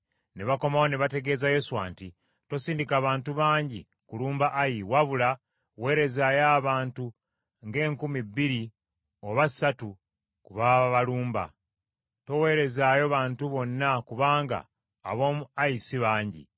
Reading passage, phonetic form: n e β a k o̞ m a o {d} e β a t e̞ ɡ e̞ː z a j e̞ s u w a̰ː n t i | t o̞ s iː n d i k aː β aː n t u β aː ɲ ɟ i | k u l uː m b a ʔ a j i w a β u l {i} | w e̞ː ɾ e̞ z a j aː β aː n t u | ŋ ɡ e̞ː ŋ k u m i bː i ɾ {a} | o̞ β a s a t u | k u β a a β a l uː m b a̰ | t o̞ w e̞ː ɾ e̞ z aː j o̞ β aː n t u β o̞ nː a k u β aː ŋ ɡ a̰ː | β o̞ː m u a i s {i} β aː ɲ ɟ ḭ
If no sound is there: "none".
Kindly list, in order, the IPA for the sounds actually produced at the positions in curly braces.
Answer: n, a, i, i

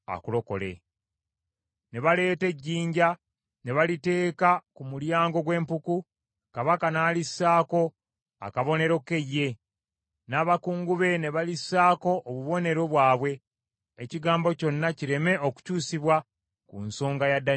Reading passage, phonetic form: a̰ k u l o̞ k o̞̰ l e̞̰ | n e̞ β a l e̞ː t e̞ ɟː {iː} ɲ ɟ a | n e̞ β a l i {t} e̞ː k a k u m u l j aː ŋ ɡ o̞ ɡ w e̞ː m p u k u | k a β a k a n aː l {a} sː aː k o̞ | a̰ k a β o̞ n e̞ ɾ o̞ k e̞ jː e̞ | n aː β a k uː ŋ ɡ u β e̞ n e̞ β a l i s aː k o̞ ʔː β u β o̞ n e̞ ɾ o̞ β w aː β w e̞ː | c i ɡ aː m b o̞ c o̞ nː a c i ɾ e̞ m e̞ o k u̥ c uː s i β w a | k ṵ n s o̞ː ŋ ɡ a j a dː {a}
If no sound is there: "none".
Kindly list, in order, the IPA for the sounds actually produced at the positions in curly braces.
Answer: iː, t, i, a

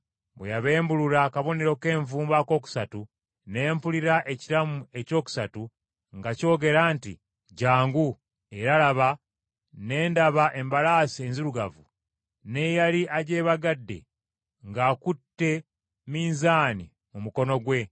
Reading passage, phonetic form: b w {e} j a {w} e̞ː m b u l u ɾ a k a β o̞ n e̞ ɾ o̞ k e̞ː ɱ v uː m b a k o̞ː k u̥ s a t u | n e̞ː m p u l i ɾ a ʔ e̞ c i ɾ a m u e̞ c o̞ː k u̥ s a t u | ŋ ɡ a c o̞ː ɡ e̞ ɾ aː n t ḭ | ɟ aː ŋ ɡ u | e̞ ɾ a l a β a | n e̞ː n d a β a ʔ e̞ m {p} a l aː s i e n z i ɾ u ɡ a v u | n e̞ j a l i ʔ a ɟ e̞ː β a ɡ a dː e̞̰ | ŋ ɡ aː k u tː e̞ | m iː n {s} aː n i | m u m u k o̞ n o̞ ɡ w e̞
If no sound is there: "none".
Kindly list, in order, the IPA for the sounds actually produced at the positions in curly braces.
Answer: e, β, b, z

